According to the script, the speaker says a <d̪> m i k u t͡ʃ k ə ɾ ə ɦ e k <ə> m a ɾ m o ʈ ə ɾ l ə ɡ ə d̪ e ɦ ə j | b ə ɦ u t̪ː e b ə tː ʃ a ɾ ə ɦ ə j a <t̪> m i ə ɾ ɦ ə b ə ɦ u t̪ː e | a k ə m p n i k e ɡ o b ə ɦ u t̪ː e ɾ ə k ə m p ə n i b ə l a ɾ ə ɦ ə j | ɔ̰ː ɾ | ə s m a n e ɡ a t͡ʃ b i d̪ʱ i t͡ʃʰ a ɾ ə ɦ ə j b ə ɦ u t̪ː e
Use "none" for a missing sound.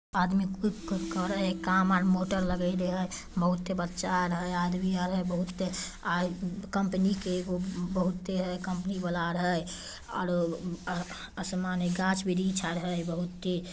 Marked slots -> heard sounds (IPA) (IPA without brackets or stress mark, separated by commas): d̪, a, d̪